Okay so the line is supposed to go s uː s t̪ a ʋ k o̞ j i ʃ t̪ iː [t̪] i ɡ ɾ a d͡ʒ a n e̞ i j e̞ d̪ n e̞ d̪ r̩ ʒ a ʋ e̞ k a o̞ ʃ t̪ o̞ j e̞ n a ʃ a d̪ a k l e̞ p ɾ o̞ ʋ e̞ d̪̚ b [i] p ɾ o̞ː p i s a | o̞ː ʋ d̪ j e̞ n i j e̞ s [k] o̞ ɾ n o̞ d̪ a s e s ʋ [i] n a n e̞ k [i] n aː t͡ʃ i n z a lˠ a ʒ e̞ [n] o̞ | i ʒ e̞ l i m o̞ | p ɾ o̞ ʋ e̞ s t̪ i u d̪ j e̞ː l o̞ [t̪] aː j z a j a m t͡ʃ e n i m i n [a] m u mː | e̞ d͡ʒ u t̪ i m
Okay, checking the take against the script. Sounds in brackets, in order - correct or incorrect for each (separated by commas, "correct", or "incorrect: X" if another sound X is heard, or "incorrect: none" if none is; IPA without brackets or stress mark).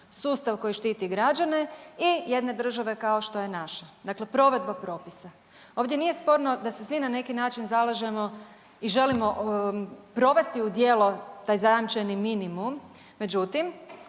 correct, incorrect: a, incorrect: p, correct, correct, incorrect: m, correct, incorrect: i